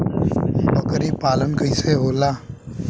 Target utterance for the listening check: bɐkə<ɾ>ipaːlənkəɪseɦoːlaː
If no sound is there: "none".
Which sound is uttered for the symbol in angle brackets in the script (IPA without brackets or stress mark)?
ɾ